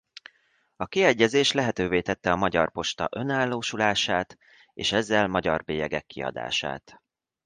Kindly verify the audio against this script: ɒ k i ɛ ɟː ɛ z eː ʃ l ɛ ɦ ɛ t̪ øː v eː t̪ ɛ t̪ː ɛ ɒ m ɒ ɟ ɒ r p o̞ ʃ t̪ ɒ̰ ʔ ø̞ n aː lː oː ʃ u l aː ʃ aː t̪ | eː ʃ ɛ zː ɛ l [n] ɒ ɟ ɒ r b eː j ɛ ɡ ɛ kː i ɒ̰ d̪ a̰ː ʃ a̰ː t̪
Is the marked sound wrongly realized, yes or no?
yes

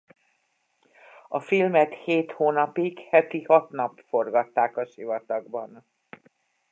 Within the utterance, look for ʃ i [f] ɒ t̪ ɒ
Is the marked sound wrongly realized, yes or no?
yes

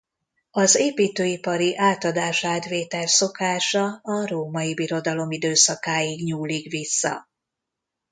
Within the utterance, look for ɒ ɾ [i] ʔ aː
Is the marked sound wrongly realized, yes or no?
no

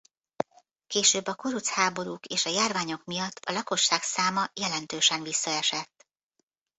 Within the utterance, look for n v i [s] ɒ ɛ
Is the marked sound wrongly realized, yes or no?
yes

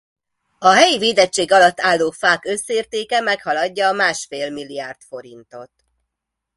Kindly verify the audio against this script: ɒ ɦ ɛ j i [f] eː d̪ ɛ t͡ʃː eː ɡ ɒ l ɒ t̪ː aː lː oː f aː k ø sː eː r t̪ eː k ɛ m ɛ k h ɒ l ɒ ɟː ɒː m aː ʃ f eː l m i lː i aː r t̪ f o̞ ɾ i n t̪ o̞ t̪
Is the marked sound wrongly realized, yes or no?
yes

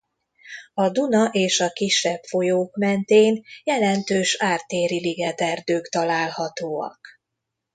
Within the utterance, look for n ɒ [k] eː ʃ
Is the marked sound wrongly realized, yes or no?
yes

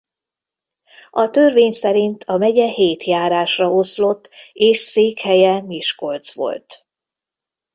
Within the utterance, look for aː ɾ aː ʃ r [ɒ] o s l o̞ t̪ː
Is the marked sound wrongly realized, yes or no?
no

